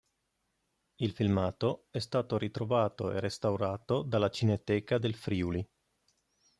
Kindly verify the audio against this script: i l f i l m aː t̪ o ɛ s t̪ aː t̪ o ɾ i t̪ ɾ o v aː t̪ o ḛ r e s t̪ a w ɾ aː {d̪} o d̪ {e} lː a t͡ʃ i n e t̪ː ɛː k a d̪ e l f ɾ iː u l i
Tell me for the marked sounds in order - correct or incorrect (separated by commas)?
incorrect, incorrect